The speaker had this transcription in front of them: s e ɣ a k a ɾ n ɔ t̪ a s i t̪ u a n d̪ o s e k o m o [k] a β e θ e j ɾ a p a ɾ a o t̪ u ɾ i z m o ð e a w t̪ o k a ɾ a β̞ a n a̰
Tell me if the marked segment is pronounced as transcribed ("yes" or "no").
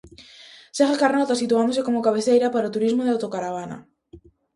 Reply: yes